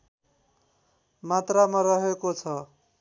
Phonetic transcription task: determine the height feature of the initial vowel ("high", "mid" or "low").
low